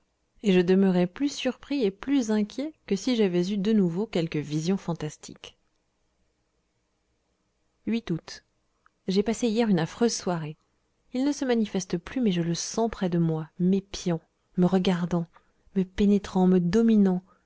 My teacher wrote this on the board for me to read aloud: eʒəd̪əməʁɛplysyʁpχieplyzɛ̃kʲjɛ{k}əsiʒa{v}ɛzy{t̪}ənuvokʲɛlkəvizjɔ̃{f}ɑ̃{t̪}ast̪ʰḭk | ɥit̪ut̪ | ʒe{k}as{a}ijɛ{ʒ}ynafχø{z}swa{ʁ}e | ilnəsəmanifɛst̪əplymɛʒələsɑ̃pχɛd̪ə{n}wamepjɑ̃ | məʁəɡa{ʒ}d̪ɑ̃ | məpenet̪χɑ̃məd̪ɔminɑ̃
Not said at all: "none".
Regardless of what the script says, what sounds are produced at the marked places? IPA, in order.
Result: k, v, d̪, f, t̪, p, e, ʁ, z, ʁ, m, ʁ

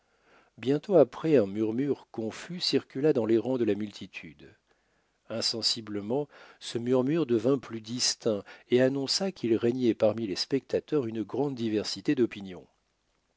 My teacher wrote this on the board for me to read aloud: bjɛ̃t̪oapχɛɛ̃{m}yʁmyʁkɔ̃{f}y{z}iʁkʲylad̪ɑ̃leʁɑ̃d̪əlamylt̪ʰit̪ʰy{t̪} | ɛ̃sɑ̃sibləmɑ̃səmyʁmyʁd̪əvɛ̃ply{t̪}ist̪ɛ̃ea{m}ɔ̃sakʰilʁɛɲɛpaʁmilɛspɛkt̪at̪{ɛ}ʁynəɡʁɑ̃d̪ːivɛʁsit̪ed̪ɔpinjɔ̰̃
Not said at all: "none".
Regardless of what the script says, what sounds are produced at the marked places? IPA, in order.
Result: m, f, s, d̪, d̪, n, œ

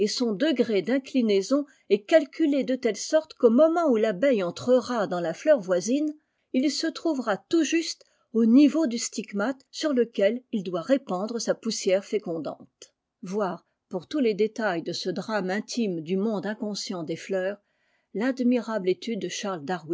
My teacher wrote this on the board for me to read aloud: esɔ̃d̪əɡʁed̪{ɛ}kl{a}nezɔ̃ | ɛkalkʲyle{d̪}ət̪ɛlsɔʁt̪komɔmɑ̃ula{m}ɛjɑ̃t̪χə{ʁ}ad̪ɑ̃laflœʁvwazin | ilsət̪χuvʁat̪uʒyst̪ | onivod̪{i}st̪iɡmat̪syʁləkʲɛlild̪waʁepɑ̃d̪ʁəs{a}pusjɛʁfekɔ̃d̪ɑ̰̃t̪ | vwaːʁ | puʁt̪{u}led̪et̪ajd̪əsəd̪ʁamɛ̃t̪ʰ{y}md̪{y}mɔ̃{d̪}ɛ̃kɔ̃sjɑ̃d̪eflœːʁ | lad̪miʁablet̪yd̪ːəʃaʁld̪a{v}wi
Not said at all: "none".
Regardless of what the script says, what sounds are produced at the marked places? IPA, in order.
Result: ɛ̃, i, d̪, b, ʁ, y, a, u, i, y, d̪, ʁ

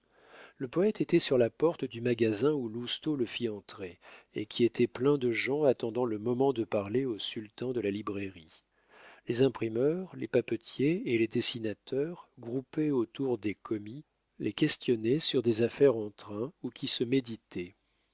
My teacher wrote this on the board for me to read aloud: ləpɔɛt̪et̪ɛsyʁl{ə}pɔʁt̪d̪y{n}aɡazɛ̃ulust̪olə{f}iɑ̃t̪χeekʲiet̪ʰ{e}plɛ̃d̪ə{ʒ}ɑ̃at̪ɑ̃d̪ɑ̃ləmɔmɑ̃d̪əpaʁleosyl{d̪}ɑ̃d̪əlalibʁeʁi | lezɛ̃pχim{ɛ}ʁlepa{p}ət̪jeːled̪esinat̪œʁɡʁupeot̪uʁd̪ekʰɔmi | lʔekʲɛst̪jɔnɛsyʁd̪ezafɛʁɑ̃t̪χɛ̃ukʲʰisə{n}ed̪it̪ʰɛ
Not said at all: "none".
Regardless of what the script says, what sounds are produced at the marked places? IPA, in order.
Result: a, m, f, ɛ, ʒ, t̪, œ, p, m

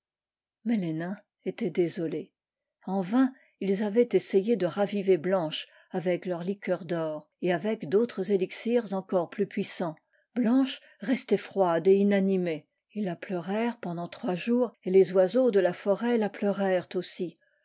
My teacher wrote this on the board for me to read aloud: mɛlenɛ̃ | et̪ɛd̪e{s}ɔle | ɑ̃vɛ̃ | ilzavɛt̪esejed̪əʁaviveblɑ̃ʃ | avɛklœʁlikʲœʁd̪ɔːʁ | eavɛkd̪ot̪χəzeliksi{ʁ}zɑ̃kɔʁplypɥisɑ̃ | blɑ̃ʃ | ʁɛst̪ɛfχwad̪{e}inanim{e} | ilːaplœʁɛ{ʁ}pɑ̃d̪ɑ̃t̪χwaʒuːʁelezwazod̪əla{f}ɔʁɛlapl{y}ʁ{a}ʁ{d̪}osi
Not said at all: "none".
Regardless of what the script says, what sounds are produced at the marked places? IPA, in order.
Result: z, ʁ, e, e, ʁ, f, œ, ɛ, t̪

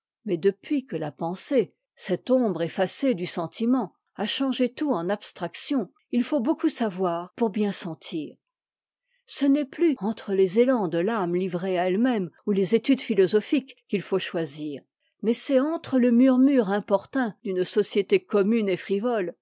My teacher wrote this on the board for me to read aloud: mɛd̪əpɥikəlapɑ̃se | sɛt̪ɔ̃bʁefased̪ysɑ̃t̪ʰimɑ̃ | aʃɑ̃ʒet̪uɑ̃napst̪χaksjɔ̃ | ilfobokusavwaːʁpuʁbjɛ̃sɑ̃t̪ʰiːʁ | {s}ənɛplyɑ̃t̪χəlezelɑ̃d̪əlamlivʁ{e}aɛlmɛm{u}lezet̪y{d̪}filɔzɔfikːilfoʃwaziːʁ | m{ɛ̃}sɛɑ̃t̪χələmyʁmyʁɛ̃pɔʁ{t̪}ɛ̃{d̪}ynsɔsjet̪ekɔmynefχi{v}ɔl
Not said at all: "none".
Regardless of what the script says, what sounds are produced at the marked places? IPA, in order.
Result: s, e, u, d̪, ɛ, t̪, d̪, v

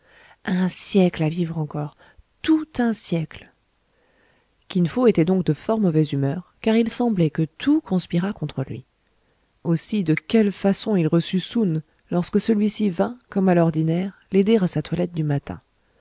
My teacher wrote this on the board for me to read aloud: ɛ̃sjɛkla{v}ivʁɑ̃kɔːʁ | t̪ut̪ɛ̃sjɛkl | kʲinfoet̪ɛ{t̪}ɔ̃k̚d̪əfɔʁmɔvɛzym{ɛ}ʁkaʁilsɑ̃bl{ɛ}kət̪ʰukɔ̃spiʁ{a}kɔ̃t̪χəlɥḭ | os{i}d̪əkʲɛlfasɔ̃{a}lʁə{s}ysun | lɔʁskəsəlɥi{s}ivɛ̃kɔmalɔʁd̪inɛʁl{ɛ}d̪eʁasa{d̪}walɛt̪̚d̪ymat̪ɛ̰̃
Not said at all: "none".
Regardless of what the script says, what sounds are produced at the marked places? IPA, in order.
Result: v, d̪, œ, ɛ, a, i, i, s, s, e, t̪

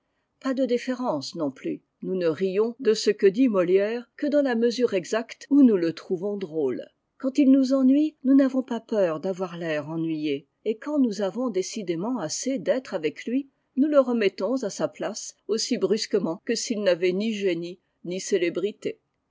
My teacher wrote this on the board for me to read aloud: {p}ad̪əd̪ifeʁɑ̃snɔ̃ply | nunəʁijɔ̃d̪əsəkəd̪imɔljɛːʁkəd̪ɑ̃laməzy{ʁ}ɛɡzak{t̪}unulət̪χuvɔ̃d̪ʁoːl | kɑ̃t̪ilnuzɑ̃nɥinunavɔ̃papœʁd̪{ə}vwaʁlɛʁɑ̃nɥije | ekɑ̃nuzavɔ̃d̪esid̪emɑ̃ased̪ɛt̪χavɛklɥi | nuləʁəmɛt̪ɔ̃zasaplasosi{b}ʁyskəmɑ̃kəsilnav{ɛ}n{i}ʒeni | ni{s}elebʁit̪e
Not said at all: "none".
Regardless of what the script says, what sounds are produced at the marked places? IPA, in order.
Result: p, ʁ, t̪, a, b, ɛ, i, s

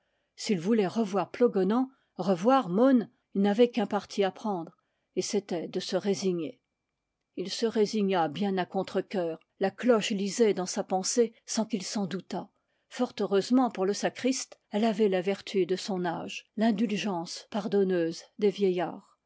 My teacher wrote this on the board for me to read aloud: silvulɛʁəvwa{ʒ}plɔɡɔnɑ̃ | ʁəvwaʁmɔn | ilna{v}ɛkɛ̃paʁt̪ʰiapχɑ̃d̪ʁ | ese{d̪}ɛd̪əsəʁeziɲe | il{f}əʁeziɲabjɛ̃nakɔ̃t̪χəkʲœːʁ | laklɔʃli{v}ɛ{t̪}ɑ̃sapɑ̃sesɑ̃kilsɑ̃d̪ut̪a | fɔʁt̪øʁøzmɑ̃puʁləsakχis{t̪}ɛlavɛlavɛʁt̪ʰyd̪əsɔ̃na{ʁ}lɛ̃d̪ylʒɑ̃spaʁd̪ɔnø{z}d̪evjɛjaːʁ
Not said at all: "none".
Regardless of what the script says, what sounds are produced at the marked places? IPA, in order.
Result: ʁ, v, t̪, s, z, d̪, t̪, ʒ, z

